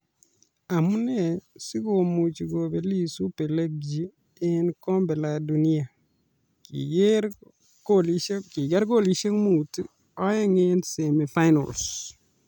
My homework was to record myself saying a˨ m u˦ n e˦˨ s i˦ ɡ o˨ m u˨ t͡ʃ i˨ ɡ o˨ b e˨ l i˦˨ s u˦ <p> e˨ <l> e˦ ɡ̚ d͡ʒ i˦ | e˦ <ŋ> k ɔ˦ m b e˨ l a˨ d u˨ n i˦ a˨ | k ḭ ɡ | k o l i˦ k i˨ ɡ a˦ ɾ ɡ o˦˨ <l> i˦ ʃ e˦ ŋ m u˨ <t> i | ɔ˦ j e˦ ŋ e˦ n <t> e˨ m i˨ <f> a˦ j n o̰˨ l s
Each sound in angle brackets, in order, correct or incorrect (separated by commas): correct, correct, incorrect, correct, correct, incorrect, correct